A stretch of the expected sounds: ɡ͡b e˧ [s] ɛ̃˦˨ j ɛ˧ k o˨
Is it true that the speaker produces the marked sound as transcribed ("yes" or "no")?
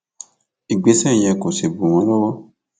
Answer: yes